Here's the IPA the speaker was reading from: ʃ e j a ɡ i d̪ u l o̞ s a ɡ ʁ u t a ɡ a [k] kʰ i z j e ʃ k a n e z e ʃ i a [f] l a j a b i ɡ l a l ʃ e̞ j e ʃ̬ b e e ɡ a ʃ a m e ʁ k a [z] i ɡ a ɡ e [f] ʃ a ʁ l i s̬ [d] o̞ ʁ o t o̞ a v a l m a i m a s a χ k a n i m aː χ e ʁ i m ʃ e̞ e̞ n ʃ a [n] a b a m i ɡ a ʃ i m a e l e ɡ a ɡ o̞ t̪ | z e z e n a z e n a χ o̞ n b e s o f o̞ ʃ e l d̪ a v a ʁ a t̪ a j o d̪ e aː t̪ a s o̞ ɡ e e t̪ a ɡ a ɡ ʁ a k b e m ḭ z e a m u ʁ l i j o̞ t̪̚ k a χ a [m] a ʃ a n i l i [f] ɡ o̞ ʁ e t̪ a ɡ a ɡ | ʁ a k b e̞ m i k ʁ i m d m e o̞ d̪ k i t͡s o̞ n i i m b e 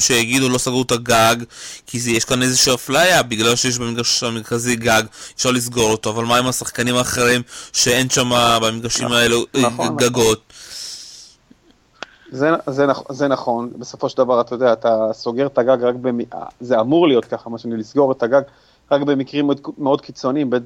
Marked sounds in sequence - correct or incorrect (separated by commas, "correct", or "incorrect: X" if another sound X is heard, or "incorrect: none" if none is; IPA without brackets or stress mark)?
incorrect: ɡ, correct, correct, correct, incorrect: ɡ, incorrect: m, correct, incorrect: s